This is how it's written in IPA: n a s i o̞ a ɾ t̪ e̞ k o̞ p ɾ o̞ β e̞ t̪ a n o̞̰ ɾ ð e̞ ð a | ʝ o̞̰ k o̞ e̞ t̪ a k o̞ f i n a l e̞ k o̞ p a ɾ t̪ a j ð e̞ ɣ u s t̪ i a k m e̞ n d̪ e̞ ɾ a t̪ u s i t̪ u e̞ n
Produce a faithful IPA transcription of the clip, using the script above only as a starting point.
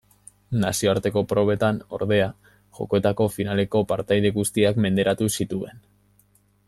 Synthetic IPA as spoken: n a s i o̞ a ɾ t̪ e̞ k o̞ p ɾ o̞ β e̞ t̪ a n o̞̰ ɾ ð e̞ a | ʝ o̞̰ k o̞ e̞ t̪ a k o̞ f i n a l e̞ k o̞ p a ɾ t̪ a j ð e̞ ɣ u s t̪ i a k m e̞ n d̪ e̞ ɾ a t̪ u s i t̪ u e̞ n